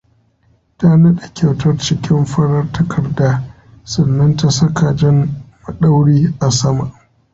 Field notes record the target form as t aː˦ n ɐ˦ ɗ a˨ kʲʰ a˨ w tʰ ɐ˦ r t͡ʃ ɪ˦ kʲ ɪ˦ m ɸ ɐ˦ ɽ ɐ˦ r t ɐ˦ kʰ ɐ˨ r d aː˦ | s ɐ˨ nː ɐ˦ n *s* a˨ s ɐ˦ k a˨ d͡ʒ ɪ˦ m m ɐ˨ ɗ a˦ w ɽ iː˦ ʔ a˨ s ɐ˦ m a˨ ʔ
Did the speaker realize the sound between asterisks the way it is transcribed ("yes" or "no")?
no